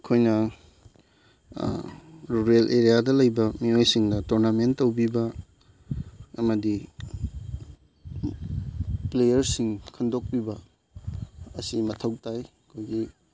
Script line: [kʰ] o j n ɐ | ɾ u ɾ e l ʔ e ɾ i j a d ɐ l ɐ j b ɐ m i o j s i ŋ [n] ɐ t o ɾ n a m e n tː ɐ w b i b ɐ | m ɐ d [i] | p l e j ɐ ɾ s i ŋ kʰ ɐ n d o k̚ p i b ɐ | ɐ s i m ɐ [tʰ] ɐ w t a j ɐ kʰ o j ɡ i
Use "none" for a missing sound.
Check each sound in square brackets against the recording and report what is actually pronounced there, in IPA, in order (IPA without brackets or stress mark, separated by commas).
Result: kʰ, d, i, tʰ